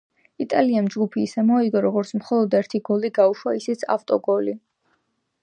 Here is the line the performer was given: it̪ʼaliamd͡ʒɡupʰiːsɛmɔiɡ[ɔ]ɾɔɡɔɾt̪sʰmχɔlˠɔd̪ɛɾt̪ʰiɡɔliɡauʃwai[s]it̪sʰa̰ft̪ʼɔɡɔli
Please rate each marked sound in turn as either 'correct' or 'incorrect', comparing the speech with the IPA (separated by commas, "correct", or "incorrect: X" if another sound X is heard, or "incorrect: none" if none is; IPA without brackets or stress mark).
correct, correct